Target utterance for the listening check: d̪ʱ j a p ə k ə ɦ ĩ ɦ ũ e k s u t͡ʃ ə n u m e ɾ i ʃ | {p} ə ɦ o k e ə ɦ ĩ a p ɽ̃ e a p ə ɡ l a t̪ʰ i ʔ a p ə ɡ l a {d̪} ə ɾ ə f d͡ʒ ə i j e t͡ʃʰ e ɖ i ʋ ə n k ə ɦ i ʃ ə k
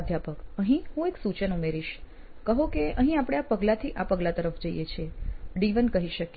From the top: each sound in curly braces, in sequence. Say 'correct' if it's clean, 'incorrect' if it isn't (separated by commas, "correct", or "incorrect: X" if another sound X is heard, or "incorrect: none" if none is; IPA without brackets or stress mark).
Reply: incorrect: k, incorrect: t̪